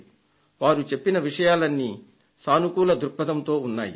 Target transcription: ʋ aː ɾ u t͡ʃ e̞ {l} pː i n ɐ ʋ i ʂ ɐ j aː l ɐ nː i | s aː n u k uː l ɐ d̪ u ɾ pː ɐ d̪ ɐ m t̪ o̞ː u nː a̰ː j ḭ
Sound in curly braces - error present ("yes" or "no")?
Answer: yes